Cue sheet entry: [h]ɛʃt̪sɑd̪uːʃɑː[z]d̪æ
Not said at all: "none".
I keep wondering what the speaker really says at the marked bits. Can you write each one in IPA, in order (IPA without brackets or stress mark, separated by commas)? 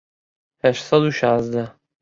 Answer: h, z